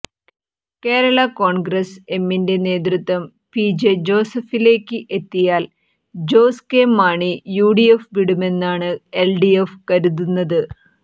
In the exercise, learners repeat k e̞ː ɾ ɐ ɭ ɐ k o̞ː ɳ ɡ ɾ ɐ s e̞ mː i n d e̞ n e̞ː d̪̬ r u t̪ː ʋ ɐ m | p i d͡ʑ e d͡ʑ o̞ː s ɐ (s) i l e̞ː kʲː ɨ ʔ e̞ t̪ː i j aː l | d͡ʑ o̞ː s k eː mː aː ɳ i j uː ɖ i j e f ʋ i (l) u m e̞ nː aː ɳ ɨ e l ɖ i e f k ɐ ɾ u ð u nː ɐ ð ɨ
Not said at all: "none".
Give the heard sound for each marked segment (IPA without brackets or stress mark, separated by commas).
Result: f, ɽ